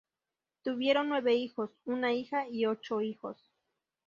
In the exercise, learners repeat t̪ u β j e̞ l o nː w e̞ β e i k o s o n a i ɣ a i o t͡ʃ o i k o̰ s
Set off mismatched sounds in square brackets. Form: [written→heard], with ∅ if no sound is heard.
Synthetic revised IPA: t̪ u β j e̞ [l→ɾ] o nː w e̞ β e i [k→x] o s [o→u] n a i [ɣ→x] a i o t͡ʃ o i [k→x] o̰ s